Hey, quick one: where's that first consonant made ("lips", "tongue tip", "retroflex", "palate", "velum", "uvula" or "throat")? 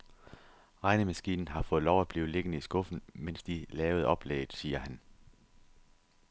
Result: uvula